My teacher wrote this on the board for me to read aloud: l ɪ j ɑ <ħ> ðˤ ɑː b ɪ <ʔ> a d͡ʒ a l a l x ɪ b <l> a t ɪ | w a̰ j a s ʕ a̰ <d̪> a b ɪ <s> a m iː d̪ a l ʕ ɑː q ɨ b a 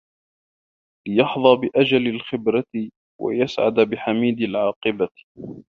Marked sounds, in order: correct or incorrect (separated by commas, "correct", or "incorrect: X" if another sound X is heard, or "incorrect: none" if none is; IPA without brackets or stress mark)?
correct, correct, incorrect: ɾ, correct, incorrect: ħ